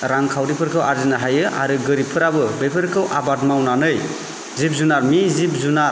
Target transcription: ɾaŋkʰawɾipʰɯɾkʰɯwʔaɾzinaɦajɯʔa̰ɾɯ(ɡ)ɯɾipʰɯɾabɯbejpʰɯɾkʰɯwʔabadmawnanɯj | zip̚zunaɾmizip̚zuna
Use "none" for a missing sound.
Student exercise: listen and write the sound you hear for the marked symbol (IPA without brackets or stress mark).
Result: ɡ